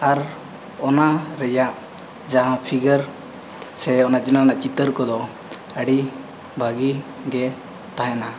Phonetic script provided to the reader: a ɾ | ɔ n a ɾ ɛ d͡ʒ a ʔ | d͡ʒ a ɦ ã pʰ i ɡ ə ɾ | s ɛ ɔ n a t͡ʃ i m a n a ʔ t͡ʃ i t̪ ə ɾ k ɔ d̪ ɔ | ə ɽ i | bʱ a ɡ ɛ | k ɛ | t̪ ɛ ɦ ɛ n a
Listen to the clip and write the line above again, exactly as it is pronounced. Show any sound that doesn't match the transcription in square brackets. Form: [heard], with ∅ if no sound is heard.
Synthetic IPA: a ɾ | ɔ n a ɾ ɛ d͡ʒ a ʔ | d͡ʒ a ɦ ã pʰ i ɡ ə ɾ | s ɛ ɔ n a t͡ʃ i [n] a n a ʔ t͡ʃ i t̪ ə ɾ k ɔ d̪ ɔ | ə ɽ i | bʱ a ɡ [i] | [ɡ] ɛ | t̪ [a] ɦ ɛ n a